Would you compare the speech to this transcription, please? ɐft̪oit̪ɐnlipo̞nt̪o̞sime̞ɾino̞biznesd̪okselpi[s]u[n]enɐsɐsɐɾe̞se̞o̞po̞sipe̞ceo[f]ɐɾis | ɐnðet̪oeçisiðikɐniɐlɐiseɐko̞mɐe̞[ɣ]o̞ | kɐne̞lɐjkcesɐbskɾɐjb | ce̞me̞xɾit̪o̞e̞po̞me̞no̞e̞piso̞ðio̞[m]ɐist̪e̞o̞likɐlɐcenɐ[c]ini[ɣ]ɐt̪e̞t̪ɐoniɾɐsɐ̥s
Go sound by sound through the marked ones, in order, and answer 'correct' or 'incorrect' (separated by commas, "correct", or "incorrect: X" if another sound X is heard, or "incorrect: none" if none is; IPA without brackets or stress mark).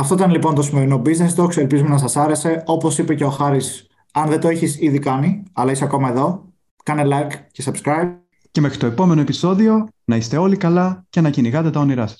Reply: incorrect: z, incorrect: m, incorrect: x, incorrect: ð, incorrect: n, correct, correct